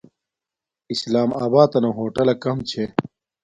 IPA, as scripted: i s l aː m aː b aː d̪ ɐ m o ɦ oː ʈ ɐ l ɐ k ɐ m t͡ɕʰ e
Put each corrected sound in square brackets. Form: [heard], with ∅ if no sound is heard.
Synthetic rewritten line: i s l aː m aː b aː [t̪] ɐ [n] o ɦ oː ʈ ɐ l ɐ k ɐ m t͡ɕʰ e